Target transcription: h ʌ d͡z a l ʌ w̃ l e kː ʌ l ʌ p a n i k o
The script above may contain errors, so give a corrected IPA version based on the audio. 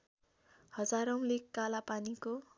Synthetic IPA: h ʌ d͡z a ɾ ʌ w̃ l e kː a l a p a n i k o